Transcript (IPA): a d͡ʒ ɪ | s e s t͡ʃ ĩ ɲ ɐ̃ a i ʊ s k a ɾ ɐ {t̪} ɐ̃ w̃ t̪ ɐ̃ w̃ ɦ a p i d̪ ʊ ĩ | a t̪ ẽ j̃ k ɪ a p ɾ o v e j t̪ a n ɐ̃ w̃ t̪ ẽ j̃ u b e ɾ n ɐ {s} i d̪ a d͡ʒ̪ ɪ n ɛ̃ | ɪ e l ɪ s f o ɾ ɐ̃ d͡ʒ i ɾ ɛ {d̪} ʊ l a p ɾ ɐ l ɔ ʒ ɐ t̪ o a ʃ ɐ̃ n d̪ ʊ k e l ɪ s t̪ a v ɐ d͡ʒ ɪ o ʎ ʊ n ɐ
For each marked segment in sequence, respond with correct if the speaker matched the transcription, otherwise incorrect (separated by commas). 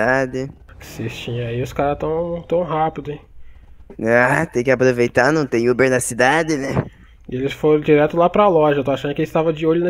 correct, correct, incorrect